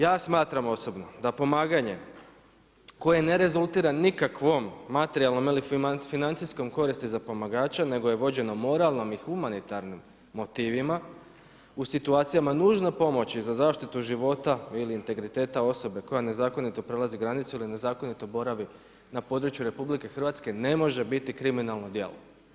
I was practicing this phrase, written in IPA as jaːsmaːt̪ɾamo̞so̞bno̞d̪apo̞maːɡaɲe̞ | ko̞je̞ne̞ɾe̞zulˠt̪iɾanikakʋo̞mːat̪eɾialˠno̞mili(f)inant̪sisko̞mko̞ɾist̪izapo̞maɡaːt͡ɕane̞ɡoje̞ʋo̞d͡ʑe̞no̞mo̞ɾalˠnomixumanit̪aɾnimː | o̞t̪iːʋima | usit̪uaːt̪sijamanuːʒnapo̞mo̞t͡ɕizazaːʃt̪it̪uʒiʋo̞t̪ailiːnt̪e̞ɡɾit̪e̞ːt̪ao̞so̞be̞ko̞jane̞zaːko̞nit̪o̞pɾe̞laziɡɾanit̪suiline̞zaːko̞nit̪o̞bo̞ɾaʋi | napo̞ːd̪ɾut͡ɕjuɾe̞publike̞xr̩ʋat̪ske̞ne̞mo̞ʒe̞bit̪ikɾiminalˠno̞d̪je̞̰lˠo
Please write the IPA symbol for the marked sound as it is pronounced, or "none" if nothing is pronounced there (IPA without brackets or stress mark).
f